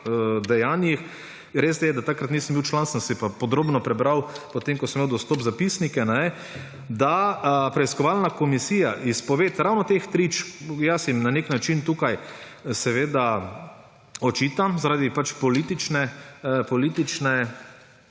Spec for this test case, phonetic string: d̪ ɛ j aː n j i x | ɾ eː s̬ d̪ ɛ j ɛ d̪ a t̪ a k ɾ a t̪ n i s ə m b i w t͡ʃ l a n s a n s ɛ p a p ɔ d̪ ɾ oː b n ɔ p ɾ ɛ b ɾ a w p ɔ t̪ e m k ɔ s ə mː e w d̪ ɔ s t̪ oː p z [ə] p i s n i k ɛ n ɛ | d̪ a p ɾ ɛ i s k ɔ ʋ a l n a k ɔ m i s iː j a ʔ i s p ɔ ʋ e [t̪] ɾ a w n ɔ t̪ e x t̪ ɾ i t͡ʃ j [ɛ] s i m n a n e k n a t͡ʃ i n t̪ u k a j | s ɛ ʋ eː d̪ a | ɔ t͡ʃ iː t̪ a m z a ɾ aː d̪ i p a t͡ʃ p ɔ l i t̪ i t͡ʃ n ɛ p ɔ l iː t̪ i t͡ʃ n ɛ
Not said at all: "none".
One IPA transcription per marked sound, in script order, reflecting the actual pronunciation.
a, t̪, a

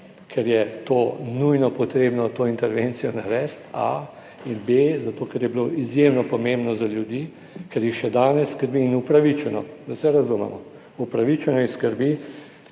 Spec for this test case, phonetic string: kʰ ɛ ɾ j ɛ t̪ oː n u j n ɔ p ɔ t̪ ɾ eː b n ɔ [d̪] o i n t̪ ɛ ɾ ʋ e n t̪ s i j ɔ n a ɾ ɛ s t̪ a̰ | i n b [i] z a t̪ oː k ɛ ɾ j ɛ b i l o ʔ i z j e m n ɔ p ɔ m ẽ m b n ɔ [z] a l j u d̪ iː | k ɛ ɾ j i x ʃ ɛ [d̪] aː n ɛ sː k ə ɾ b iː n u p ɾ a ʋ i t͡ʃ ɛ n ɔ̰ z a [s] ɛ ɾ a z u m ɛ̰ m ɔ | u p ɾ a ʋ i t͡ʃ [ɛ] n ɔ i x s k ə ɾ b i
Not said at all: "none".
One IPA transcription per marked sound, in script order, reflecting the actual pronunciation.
t̪, e, z, d̪, s, ɛ

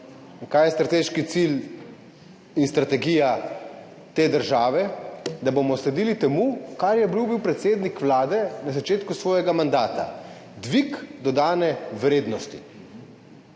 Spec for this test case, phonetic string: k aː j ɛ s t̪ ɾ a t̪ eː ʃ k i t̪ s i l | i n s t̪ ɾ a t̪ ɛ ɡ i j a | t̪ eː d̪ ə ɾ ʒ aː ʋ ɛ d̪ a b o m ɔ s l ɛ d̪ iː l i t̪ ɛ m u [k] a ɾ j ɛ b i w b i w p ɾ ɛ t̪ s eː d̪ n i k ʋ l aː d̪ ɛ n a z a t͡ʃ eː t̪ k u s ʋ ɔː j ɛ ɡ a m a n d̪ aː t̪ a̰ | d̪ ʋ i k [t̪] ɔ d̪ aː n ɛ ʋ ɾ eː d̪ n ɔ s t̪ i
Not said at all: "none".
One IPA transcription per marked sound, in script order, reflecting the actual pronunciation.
k, d̪

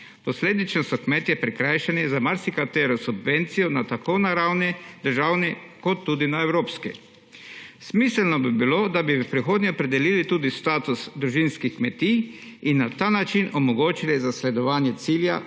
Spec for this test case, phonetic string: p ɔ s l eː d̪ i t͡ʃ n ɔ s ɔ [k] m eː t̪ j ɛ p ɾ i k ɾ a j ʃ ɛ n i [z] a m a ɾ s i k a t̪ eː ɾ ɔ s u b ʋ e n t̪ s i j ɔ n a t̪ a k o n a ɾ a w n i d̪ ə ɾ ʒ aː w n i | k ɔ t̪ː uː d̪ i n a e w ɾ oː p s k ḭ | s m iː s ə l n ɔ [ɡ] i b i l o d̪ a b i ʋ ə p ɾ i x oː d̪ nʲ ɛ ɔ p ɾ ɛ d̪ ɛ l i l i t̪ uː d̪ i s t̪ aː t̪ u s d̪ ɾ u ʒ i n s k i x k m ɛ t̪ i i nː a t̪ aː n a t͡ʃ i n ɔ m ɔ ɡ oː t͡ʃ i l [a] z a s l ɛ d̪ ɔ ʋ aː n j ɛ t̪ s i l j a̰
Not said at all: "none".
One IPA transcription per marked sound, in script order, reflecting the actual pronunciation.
k, z, b, i

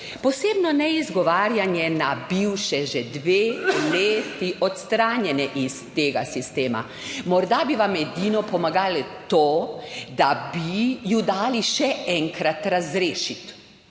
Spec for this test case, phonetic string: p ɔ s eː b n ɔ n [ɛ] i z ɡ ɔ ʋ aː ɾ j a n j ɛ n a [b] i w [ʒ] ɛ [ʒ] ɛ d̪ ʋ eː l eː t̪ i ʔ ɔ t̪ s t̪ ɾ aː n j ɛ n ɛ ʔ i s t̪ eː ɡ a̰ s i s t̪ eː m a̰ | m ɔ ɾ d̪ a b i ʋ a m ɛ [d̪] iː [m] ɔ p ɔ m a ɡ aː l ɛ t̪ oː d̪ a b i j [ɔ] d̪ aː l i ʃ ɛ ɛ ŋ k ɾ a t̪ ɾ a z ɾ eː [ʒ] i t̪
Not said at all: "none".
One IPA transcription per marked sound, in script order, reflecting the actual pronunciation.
ɛ, b, ʃ, ʒ, d̪, n, u, ʃ

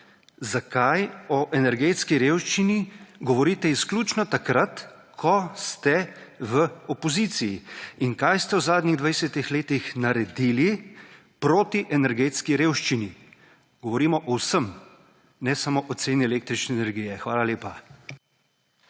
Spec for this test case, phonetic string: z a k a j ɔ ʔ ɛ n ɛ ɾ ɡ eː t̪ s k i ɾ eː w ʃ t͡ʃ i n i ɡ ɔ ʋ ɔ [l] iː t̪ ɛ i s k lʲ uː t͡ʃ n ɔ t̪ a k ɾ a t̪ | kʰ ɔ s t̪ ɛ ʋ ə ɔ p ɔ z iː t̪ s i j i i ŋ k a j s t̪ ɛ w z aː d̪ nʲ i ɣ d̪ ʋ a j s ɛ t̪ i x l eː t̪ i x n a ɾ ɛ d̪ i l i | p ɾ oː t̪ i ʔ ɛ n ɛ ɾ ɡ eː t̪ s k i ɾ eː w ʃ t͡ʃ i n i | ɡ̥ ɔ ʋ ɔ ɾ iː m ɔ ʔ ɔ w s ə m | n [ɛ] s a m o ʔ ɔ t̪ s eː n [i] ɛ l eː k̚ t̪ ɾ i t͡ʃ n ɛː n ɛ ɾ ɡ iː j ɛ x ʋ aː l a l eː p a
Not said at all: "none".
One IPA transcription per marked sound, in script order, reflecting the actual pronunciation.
ɾ, ɛ, i

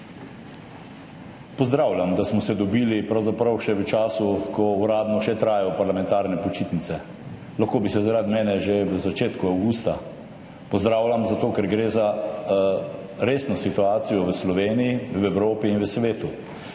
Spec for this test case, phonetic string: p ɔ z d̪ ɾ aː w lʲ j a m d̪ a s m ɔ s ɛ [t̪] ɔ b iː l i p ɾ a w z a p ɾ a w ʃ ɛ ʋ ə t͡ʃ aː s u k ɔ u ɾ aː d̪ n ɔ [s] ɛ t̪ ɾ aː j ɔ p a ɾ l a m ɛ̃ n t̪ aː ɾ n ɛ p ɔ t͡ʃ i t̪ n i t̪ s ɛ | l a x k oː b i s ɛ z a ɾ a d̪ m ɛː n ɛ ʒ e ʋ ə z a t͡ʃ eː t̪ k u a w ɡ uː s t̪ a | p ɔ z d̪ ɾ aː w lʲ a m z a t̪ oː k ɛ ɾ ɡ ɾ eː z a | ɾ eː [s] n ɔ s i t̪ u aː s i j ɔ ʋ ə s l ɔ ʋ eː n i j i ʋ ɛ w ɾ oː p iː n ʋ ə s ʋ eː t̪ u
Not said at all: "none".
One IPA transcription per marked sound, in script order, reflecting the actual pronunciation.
d̪, ʃ, s

